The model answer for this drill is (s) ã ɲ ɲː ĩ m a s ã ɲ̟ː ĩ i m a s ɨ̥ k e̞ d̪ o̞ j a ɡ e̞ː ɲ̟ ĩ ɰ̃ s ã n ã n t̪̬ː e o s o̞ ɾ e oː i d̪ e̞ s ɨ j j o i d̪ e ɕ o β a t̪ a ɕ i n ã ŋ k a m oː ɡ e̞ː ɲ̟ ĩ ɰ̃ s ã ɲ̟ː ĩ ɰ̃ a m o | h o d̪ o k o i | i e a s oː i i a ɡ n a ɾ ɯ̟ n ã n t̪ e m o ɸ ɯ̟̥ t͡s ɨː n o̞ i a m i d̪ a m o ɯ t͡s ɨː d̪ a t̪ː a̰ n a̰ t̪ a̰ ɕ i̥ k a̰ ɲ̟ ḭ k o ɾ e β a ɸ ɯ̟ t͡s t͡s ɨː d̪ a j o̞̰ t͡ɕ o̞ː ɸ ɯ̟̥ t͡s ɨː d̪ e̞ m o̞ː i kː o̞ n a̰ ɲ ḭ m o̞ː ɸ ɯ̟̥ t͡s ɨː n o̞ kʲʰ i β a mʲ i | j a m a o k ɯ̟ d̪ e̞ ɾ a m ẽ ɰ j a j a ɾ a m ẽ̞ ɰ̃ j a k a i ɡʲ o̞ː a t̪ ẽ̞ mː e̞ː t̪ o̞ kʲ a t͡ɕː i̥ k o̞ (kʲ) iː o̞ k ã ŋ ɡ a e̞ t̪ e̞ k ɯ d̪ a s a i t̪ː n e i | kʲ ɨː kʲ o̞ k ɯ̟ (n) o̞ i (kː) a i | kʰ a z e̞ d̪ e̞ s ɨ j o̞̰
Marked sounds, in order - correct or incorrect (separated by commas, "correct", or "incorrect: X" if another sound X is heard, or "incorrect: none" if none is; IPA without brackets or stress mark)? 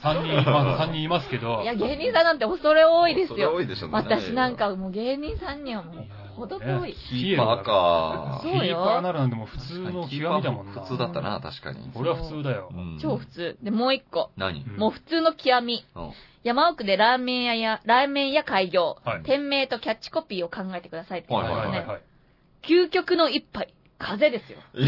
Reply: correct, incorrect: pʲ, correct, incorrect: pː